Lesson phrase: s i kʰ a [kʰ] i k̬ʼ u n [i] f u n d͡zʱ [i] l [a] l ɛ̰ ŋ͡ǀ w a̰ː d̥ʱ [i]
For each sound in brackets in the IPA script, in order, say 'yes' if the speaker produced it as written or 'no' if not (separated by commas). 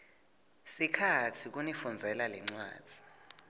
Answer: no, yes, no, yes, yes